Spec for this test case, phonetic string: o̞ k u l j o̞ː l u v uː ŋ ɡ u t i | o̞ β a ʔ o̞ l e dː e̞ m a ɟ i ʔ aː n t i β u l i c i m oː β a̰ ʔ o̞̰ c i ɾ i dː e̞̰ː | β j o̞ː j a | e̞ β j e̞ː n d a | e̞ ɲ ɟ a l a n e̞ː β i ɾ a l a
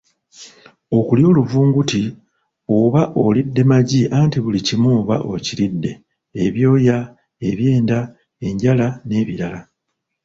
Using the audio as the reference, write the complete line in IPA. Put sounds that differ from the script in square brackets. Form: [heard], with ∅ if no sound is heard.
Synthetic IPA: o̞ k u l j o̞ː l u v uː ŋ ɡ u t i | o̞ β a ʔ o̞ l [i] dː e̞ m a ɟ i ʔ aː n t i β u l i c i m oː β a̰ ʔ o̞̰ c i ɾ i dː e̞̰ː | β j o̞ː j a | e̞ β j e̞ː n d a | e̞ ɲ ɟ a l a n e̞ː β i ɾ a l a